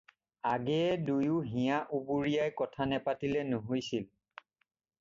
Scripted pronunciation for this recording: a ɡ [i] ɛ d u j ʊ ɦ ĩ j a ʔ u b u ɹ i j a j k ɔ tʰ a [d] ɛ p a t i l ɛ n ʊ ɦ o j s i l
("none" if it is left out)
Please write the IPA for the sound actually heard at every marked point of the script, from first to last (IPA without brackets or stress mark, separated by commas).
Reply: ɛ, n